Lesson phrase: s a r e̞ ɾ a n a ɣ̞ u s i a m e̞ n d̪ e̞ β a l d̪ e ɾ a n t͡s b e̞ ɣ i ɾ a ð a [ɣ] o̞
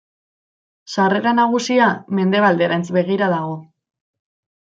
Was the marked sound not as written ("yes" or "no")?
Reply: no